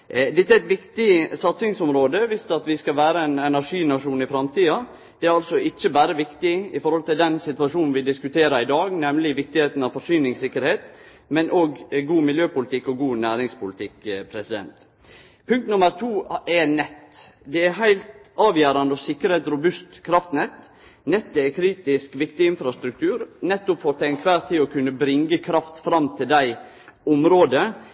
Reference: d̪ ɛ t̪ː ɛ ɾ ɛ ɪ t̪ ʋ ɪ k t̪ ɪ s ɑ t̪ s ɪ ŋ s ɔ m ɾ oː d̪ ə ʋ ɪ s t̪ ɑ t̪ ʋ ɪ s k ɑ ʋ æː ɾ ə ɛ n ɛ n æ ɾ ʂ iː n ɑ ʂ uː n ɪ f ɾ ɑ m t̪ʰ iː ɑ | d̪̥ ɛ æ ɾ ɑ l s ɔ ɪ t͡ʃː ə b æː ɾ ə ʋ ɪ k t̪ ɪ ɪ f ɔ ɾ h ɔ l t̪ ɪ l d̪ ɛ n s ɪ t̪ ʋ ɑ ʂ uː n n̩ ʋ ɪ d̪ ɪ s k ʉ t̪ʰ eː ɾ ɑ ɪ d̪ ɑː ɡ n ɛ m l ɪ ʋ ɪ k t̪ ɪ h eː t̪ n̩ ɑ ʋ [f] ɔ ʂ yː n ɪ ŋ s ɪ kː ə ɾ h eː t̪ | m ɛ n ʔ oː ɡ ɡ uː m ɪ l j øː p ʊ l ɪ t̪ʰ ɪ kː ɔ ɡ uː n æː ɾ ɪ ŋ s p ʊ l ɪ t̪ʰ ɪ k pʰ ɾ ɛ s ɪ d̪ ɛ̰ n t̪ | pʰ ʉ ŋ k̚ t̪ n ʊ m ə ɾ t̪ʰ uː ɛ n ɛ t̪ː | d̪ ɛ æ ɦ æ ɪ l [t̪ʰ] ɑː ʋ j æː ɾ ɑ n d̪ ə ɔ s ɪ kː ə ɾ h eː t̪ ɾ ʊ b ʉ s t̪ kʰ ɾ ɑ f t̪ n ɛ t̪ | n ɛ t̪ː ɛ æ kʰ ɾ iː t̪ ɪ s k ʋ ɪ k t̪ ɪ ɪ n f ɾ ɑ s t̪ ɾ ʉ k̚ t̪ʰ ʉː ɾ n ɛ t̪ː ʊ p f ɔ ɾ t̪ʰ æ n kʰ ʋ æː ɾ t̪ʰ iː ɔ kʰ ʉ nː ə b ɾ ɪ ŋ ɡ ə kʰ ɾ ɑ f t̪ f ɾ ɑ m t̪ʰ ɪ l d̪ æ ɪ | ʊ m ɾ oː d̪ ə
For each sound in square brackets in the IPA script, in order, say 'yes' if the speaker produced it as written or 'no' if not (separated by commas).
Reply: yes, no